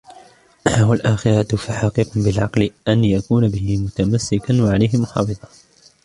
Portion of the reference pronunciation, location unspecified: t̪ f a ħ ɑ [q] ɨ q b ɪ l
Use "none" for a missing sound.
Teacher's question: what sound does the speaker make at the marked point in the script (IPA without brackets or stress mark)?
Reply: q